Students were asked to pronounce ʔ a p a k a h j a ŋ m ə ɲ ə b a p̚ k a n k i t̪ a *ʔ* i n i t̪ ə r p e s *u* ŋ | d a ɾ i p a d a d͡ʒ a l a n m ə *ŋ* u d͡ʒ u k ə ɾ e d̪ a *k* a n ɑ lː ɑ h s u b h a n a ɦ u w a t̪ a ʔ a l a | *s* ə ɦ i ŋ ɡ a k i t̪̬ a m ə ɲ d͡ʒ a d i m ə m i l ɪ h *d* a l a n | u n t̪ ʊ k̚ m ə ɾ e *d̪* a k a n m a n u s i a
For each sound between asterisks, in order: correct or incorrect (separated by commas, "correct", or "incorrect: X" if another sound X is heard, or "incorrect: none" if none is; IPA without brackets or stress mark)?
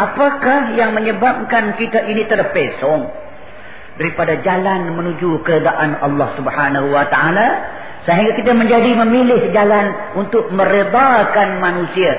correct, incorrect: ɔ, incorrect: n, incorrect: ʔ, correct, incorrect: d͡ʒ, correct